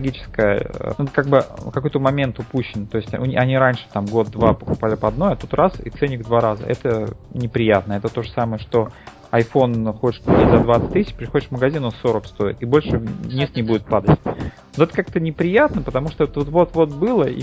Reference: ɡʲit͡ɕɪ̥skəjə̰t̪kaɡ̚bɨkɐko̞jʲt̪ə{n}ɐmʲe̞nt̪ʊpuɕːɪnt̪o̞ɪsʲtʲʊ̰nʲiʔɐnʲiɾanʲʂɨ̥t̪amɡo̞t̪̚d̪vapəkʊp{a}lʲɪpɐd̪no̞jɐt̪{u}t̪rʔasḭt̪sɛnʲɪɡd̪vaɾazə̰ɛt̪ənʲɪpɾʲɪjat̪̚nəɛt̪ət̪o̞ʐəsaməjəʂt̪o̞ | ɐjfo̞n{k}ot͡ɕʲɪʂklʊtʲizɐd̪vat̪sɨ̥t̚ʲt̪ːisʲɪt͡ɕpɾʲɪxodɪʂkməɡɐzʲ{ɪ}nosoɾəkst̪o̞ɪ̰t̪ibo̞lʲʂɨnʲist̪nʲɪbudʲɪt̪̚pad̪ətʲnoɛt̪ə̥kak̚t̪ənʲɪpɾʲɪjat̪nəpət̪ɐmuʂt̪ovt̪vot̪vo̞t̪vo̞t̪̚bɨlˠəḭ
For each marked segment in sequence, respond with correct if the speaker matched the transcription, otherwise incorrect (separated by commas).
incorrect, correct, correct, incorrect, incorrect